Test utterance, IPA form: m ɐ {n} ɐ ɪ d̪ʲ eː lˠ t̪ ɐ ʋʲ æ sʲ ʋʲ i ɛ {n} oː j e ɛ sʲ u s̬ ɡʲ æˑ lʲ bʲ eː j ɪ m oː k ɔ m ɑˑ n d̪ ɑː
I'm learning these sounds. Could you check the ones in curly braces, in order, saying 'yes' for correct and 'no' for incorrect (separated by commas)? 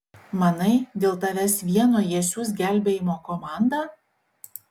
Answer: yes, yes